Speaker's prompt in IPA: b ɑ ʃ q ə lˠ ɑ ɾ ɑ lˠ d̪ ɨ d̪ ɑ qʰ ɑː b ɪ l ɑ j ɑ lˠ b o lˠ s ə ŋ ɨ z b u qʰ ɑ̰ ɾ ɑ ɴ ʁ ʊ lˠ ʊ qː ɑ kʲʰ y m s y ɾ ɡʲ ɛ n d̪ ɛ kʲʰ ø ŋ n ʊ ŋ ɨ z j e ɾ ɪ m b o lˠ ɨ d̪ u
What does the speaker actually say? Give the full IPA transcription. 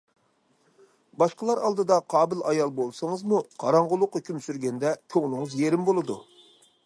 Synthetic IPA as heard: b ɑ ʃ q ə lˠ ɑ ɾ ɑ lˠ d̪ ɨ d̪ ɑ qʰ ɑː b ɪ l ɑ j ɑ lˠ b o lˠ s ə ŋ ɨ z m u qʰ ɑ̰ ɾ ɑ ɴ ʁ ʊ lˠ ʊ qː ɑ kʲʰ y m s y ɾ ɡʲ ɛ n d̪ ɛ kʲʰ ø ŋ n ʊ ŋ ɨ z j e ɾ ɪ m b o lˠ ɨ d̪ u

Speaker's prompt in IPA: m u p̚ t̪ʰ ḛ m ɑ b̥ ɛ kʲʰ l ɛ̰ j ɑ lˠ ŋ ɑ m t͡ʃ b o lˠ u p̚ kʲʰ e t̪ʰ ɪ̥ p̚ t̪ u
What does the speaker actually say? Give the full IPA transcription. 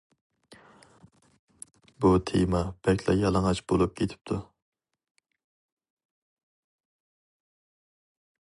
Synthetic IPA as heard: b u t̪ʰ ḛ m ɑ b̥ ɛ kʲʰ l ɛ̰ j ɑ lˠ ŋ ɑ t͡ʃ b o lˠ u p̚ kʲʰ e t̪ʰ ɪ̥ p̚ t̪ʰ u

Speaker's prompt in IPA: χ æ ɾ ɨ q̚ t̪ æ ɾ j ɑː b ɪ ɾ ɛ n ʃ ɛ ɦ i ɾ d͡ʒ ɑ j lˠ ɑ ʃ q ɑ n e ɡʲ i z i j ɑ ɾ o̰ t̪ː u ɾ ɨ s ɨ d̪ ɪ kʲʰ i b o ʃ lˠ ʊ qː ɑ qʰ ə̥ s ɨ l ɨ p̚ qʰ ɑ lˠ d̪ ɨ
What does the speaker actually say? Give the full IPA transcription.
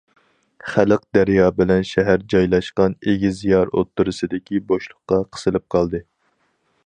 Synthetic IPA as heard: χ æ l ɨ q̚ d̪ æ ɾ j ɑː b ɪ l ɛ n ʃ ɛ ɦ æ ɾ d͡ʒ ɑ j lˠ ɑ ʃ q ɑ n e ɡʲ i z i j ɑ ɾ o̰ t̪ː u ɾ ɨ s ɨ d̪ ɪ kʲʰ i b o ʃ lˠ ʊ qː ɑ qʰ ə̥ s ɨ l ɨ p̚ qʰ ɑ lˠ d̪ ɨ

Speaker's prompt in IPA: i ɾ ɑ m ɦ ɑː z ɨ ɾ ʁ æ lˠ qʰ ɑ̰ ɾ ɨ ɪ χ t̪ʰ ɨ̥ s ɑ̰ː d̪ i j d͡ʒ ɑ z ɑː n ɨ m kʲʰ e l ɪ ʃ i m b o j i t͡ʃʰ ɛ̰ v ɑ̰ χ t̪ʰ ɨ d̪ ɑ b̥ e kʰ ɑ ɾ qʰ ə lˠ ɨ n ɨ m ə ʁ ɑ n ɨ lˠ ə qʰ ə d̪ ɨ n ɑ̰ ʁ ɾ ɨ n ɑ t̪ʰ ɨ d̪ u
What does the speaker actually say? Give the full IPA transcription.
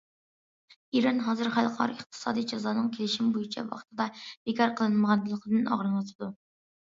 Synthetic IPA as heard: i ɾ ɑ n ɦ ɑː z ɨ ɾ χ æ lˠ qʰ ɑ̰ ɾ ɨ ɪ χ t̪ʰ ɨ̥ s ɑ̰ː d̪ i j d͡ʒ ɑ z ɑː n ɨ ŋ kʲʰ e l ɪ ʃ i m b o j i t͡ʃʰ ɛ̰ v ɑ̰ χ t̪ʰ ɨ d̪ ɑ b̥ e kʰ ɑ ɾ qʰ ə lˠ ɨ n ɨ m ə ʁ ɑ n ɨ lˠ ə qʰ ə d̪ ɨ n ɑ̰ ʁ ɾ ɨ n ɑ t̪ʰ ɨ d̪ u

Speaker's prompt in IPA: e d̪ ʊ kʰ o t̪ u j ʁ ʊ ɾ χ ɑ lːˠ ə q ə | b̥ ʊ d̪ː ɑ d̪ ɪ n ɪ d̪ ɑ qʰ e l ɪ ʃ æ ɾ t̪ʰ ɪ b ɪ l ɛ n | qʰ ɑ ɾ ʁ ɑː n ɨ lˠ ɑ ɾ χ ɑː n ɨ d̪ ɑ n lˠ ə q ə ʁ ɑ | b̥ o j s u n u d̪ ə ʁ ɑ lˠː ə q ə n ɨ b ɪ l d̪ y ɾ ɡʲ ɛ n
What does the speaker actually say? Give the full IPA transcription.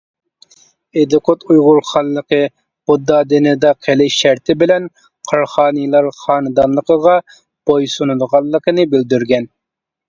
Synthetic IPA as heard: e d̪ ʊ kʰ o t̪ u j ʁ ʊ ɾ χ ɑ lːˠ ə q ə | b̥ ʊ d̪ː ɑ d̪ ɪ n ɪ d̪ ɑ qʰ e l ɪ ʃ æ ɾ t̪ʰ ɪ b ɪ l ɛ n | qʰ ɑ ɾ χ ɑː n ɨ lˠ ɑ ɾ χ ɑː n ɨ d̪ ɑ n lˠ ə q ə ʁ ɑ | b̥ o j s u n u d̪ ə ʁ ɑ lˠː ə q ə n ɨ b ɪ l d̪ y ɾ ɡʲ ɛ n

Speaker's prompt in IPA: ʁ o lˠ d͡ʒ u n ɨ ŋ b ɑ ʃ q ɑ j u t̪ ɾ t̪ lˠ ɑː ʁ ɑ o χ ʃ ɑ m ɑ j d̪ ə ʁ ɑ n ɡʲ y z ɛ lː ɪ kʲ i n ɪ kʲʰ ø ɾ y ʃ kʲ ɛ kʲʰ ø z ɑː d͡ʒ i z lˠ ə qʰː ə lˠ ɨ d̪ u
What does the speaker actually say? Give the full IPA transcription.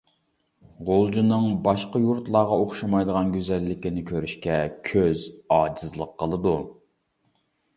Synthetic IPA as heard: ʁ o lˠ d͡ʒ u n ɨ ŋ b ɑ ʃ q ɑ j u ɾ t̪ lˠ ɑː ʁ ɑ o χ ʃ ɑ m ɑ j d̪ ə ʁ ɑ n ɡʲ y z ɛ lː ɪ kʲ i n ɪ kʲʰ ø ɾ y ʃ kʲ ɛ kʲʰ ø z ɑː d͡ʒ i z lˠ ə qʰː ə lˠ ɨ d̪ u

